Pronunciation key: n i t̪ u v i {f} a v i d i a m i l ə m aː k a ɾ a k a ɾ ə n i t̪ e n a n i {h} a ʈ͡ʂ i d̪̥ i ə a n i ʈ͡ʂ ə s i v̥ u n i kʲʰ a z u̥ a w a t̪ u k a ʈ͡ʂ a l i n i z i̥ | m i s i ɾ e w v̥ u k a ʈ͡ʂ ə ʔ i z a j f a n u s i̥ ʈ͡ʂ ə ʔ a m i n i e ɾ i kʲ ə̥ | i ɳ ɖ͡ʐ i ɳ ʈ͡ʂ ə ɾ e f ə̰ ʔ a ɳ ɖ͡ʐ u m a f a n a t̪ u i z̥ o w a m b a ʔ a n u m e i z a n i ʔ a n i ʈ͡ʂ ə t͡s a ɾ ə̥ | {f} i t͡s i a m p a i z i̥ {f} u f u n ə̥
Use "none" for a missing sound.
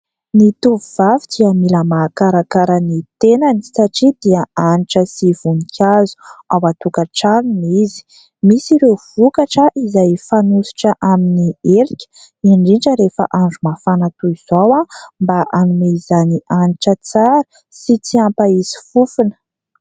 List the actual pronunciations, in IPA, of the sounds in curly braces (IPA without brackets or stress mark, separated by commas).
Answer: v, s, s, f